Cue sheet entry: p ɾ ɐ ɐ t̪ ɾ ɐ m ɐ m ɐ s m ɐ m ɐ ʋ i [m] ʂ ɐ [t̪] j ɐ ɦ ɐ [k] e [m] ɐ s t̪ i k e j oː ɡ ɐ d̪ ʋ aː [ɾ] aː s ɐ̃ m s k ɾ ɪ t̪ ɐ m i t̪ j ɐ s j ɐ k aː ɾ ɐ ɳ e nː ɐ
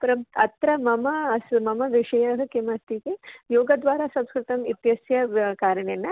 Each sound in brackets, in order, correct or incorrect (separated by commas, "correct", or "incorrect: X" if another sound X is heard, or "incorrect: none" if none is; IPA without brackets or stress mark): incorrect: none, incorrect: none, correct, correct, correct